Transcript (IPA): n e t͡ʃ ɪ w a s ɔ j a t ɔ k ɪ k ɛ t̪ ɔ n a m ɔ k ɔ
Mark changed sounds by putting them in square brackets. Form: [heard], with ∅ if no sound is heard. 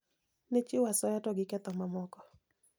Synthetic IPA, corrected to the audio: n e t͡ʃ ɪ w a s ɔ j a t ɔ [ɡ] ɪ k ɛ t̪ ɔ [m] a m ɔ k ɔ